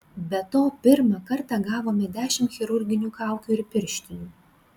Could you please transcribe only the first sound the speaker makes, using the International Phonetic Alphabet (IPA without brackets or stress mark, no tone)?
bʲ